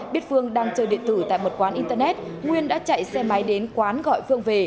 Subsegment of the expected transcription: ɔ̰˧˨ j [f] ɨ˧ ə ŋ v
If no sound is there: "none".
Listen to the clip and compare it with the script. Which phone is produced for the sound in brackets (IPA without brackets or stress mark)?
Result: f